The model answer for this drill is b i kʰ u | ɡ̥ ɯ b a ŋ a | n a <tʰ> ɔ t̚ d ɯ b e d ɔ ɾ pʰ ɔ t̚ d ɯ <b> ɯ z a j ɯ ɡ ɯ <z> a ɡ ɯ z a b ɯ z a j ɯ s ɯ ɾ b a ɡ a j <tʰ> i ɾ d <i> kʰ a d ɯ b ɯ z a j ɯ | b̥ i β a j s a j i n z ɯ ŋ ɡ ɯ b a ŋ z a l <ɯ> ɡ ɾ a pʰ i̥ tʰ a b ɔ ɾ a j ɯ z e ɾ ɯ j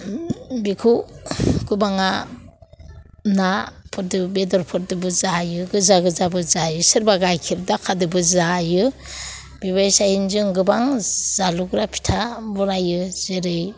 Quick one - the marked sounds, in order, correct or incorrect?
incorrect: pʰ, correct, correct, incorrect: kʰ, incorrect: a, incorrect: u

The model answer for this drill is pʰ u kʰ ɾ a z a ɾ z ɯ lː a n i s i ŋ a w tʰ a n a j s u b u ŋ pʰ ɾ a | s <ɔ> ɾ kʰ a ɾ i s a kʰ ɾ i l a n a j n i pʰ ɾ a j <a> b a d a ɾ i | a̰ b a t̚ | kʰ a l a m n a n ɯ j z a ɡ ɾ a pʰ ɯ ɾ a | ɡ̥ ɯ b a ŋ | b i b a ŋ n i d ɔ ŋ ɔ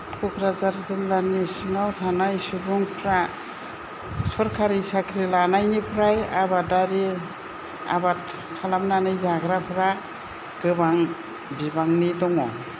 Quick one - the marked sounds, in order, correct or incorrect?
correct, correct

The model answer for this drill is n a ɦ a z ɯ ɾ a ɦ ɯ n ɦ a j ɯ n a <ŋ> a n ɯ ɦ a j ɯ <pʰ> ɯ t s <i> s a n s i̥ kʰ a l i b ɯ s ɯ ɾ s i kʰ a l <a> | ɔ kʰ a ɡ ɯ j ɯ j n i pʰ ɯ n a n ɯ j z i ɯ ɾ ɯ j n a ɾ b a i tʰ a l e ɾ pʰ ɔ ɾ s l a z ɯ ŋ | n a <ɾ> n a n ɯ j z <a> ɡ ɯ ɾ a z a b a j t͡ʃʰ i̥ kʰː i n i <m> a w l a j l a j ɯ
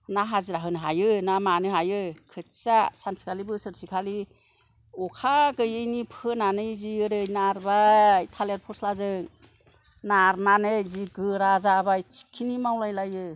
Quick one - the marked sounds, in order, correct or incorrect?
incorrect: m, incorrect: kʰ, incorrect: a, incorrect: i, correct, incorrect: i, correct

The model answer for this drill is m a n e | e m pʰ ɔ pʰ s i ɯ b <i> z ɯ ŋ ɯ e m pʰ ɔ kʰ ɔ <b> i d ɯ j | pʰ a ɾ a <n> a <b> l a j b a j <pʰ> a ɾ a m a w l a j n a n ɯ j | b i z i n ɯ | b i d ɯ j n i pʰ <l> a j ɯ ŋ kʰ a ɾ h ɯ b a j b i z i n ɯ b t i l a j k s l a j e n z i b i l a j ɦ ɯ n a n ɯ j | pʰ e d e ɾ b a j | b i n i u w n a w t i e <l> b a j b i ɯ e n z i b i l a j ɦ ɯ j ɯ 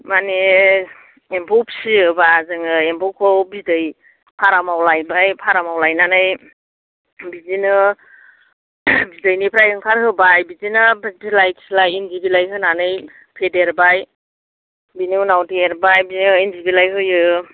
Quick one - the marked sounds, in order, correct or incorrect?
incorrect: a, correct, incorrect: m, incorrect: w, correct, incorrect: ɾ, incorrect: ɾ

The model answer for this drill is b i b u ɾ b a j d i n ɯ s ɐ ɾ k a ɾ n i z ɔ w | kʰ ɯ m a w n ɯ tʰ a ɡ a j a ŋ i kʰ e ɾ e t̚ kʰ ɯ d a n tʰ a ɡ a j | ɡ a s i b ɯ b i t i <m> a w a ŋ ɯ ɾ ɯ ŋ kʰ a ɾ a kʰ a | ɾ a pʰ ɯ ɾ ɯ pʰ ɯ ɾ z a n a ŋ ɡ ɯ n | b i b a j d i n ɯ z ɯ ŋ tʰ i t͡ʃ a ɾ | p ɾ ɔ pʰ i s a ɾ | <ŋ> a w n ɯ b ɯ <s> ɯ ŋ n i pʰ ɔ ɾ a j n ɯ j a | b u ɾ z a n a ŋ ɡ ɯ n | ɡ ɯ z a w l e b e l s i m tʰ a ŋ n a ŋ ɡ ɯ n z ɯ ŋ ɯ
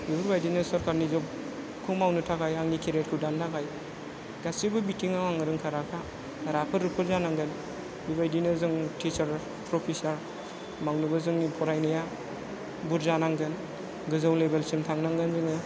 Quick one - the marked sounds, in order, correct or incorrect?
incorrect: ŋ, incorrect: m, incorrect: z

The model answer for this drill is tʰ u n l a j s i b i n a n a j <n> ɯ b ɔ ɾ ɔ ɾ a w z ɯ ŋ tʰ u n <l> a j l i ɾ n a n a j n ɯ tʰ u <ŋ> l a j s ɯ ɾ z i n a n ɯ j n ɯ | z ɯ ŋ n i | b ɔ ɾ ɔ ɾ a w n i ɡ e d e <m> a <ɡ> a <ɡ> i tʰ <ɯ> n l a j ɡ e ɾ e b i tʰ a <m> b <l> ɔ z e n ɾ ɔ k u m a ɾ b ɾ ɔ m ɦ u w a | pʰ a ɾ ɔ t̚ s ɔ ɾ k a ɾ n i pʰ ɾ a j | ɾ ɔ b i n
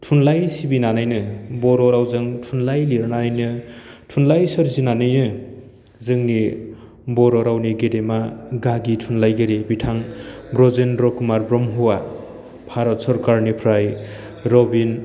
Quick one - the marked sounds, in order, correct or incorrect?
correct, correct, incorrect: n, correct, correct, correct, incorrect: u, incorrect: ŋ, incorrect: ɾ

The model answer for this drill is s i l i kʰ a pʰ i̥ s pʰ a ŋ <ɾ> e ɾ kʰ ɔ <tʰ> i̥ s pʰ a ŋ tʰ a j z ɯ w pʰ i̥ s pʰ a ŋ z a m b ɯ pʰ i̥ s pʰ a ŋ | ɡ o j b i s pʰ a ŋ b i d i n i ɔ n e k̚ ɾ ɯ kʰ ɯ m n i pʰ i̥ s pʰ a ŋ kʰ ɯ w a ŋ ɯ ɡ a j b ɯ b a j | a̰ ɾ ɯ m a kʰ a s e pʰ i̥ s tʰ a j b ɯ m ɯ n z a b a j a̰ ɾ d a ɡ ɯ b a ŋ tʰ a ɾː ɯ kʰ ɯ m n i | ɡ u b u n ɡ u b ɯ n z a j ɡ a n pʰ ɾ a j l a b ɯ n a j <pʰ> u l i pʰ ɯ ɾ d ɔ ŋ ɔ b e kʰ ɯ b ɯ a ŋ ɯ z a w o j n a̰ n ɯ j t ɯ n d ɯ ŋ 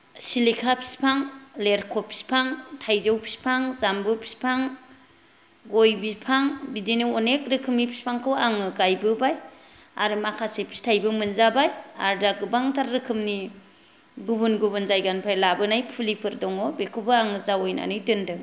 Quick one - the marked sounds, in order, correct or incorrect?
incorrect: l, incorrect: pʰ, correct

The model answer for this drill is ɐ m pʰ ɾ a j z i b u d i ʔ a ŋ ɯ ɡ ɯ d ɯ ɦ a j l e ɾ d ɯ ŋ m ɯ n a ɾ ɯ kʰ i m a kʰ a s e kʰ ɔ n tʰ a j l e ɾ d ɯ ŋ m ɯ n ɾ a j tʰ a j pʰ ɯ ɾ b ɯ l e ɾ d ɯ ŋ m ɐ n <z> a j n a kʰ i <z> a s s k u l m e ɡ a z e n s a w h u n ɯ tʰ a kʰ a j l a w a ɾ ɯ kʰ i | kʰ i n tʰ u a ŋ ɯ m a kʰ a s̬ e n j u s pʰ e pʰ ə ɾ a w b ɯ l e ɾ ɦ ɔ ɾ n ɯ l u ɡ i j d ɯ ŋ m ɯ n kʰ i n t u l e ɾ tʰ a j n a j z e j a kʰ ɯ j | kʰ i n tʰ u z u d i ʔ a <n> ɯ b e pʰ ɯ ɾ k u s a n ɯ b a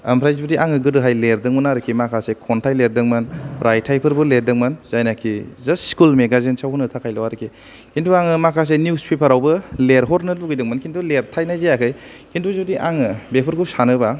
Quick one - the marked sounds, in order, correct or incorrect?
correct, correct, incorrect: ŋ

